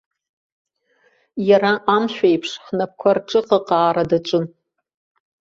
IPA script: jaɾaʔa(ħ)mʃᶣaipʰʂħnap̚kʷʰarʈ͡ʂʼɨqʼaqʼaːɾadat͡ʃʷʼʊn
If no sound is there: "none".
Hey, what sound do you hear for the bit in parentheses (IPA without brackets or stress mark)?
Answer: none